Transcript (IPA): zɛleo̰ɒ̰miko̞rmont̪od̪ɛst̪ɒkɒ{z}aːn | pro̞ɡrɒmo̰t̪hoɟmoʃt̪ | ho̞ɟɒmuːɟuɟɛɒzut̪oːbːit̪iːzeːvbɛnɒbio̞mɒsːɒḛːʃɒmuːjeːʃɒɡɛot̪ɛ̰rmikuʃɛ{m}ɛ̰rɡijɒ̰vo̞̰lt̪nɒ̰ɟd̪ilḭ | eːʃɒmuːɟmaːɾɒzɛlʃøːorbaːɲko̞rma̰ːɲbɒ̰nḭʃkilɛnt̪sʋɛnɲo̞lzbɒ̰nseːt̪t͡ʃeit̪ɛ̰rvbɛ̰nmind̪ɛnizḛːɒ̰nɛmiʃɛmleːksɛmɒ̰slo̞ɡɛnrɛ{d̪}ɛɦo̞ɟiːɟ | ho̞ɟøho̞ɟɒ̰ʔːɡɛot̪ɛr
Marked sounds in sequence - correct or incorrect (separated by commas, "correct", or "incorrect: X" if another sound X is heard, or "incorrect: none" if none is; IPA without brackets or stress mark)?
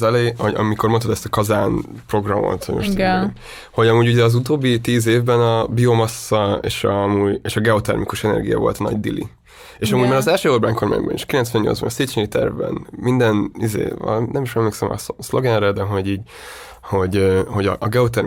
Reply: correct, incorrect: n, correct